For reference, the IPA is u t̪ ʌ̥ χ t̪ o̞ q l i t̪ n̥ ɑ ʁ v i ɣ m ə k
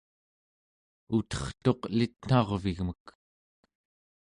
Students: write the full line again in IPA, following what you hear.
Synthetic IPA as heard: u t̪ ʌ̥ χ t̪ o̞ q l i t̪ n̥ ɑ ʁ v i ɣ m ə k